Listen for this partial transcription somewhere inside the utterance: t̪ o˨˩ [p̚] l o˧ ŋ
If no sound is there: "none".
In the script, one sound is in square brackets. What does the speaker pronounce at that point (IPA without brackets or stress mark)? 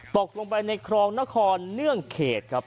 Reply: k̚